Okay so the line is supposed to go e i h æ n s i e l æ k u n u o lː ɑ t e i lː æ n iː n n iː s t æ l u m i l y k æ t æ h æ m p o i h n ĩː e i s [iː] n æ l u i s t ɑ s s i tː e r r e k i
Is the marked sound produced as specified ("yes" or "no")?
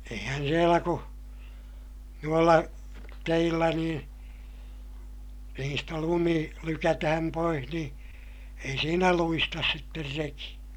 yes